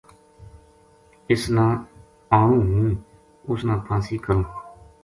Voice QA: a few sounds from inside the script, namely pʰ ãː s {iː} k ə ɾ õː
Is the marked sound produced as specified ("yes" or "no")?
yes